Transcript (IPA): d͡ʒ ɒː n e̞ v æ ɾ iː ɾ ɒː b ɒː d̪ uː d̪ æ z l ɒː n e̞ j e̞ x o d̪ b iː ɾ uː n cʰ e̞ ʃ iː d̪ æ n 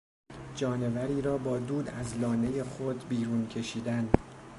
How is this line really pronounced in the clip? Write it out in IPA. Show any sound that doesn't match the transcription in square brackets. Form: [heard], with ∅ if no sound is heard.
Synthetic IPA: d͡ʒ ɒː n e̞ v æ ɾ iː ɾ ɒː b ɒː d̪ uː d̪ æ z l ɒː n e̞ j e̞ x o d̪ b iː ɾ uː n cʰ e̞ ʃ iː d̪ æ n